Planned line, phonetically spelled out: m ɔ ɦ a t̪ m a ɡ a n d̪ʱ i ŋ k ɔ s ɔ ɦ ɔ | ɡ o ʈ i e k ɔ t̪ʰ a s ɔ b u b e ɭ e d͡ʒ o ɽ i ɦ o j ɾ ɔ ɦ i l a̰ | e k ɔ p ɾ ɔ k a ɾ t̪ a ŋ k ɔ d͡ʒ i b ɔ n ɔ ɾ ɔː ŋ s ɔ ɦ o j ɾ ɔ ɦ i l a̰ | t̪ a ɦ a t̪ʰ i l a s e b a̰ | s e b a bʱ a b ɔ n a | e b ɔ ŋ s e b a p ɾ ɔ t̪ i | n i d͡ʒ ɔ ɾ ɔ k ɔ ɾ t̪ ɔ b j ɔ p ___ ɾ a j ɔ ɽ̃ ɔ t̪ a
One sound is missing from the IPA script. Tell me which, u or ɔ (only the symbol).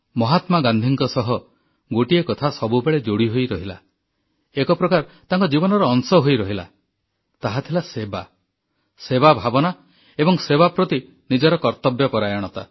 ɔ